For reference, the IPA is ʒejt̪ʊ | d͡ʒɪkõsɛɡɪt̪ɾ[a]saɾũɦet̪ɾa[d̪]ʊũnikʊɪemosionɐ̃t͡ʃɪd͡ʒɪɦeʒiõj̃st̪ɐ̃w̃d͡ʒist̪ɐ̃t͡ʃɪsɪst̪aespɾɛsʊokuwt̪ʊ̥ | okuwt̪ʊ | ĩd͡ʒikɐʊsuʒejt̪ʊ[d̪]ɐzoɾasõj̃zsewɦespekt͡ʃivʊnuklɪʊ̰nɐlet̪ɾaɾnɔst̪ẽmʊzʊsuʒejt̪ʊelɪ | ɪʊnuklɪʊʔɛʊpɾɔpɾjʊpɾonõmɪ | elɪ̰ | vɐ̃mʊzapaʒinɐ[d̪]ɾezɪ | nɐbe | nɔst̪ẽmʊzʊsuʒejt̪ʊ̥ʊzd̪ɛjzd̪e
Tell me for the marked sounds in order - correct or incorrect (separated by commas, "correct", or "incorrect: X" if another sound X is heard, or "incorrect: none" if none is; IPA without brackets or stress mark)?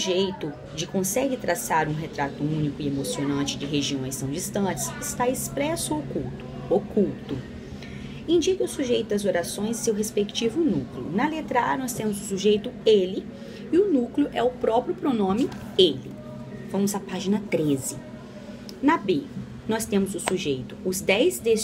correct, incorrect: t̪, correct, incorrect: t̪